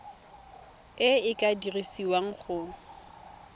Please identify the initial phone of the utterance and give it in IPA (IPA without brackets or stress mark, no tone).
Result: ɪ